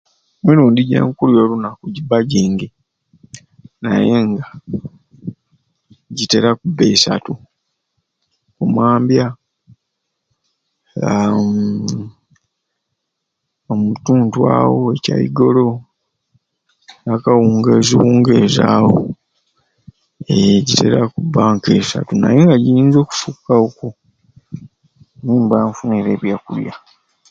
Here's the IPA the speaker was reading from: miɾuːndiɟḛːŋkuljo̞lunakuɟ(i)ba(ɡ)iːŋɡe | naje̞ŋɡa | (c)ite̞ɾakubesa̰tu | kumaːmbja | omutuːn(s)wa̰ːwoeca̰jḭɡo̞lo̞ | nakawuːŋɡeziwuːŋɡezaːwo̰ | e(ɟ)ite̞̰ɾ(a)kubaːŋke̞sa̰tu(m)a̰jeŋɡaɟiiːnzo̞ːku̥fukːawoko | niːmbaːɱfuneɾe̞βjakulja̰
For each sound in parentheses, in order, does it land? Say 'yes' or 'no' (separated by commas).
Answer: yes, no, no, no, yes, yes, no